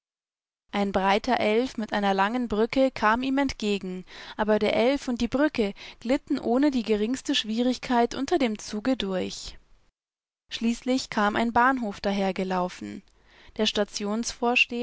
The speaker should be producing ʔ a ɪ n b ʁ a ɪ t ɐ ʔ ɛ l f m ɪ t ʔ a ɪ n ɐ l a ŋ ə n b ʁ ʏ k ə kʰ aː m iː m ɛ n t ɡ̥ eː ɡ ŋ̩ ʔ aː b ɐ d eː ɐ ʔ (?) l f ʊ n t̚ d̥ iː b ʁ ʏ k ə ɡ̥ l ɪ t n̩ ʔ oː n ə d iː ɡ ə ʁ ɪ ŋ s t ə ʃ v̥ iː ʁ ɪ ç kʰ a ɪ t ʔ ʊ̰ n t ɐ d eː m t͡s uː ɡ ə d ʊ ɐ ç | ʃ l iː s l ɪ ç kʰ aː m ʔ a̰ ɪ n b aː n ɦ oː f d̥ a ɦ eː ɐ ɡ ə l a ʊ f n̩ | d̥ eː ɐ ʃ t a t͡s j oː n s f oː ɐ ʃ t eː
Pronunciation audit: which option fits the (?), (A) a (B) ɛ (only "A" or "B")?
B